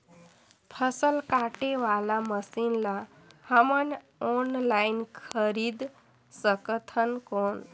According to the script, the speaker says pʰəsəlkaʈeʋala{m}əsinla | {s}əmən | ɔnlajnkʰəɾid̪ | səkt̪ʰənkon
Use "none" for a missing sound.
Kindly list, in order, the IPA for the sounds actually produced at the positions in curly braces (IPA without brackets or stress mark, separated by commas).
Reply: m, h